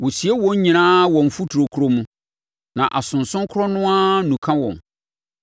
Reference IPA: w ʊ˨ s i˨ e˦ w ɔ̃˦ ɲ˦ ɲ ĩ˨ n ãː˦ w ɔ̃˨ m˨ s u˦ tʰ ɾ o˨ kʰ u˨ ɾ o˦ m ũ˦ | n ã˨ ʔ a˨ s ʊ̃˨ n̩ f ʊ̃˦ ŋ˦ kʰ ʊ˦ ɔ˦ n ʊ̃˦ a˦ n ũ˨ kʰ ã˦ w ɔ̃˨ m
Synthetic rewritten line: w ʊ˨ s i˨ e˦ w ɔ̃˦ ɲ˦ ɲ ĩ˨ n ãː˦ w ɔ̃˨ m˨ f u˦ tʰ ɾ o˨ kʰ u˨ ɾ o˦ m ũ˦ | n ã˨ ʔ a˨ s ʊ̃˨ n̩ s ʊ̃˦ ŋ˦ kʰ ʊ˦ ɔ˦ n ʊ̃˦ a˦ n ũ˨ kʰ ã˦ w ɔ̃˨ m